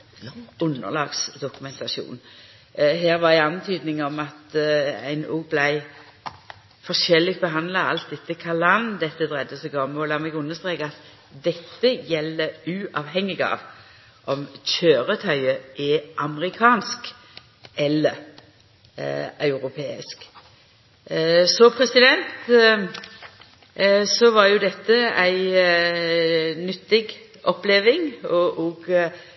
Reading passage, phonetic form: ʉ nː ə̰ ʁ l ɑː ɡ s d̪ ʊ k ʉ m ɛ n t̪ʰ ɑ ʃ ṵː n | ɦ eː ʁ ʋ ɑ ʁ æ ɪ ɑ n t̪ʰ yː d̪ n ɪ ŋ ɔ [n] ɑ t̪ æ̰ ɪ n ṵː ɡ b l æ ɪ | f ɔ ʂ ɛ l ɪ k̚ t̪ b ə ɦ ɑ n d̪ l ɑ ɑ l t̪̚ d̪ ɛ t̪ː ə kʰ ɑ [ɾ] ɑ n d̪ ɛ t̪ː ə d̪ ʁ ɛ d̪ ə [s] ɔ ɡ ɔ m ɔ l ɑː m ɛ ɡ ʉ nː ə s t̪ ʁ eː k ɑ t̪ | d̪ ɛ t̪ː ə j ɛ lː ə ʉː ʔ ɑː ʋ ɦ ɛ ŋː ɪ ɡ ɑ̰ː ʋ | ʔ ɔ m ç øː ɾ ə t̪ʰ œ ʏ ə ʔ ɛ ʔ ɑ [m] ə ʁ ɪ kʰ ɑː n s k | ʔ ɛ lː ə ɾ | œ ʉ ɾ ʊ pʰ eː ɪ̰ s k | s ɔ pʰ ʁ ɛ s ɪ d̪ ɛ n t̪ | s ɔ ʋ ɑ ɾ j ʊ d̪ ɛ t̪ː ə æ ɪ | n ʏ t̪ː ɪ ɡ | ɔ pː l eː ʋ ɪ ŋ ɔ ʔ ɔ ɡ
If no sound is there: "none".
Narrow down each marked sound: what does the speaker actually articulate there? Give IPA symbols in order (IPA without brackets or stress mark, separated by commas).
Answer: m, l, s, m